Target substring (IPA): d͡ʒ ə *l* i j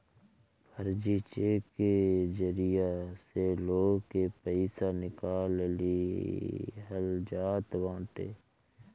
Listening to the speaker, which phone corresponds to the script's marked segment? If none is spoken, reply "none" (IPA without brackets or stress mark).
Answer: ɾ